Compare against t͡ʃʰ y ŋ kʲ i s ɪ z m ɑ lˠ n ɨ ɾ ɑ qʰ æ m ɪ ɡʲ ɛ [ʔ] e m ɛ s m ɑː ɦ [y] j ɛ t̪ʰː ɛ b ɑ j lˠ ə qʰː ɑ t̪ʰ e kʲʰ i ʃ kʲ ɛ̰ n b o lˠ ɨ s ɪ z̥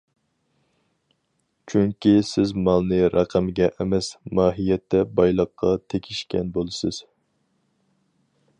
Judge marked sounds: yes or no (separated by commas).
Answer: yes, no